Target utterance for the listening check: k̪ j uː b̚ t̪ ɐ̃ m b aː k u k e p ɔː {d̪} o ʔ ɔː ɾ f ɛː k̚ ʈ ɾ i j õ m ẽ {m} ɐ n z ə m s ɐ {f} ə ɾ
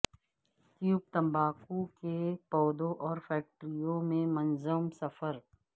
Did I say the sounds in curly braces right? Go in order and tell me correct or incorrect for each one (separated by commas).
correct, correct, correct